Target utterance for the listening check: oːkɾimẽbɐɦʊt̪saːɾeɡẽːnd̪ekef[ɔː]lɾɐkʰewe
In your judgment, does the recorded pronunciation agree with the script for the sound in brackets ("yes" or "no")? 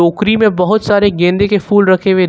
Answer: no